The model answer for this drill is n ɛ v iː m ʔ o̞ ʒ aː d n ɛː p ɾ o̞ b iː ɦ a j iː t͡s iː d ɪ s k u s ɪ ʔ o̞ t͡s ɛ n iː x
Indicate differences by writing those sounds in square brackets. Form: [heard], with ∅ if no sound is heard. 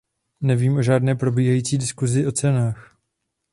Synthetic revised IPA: n ɛ v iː m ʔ o̞ ʒ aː d n ɛː p ɾ o̞ b iː ɦ a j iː t͡s iː d ɪ s k u [z] ɪ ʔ o̞ t͡s ɛ n [aː] x